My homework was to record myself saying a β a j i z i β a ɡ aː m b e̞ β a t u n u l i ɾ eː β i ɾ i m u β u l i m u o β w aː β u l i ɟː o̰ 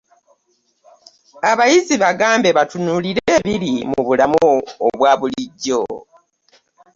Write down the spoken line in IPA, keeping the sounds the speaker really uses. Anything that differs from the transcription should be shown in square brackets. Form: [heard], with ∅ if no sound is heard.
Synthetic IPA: a β a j i z i β a ɡ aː m b e̞ β a t u n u l i ɾ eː β i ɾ i m u β u l [a] m u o β w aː β u l i ɟː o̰